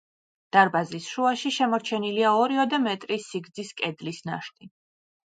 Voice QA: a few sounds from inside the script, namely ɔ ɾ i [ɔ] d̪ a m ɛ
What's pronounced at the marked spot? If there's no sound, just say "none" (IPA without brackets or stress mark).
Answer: ɔ